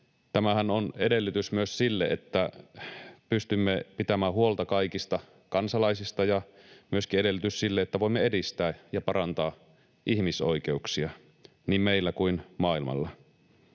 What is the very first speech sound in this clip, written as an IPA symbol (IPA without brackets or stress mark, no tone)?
t̪